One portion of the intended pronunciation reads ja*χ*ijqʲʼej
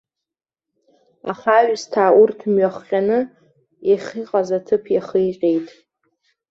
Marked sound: correct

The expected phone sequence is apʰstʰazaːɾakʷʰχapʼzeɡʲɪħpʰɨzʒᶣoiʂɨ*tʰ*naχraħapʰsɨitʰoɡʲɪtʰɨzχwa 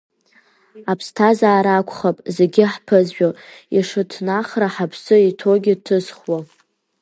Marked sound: correct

